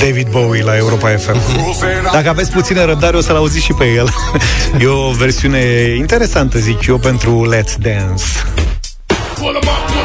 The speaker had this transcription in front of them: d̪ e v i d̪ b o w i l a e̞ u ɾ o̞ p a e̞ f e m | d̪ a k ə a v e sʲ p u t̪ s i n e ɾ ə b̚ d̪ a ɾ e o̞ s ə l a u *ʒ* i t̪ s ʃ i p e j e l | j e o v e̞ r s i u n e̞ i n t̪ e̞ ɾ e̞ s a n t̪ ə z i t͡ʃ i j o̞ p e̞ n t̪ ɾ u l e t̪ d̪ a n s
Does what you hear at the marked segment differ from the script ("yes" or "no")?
yes